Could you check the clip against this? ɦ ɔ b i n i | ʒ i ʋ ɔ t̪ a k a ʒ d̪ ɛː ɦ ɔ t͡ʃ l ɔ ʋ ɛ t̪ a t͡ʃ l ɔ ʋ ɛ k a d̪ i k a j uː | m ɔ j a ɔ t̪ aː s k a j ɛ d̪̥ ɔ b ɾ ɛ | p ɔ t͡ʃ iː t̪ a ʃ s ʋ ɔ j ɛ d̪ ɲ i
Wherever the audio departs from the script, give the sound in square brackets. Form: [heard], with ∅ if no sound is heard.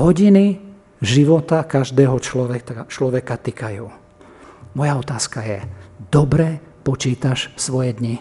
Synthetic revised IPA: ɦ ɔ [ɟ] i n i | ʒ i ʋ ɔ t̪ a k a ʒ d̪ ɛː ɦ ɔ t͡ʃ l ɔ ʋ ɛ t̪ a t͡ʃ l ɔ ʋ ɛ k a [t̪] i k a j uː | m ɔ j a ɔ t̪ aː s k a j ɛ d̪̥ ɔ b ɾ ɛ | p ɔ t͡ʃ iː t̪ a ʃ s ʋ ɔ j ɛ d̪ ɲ i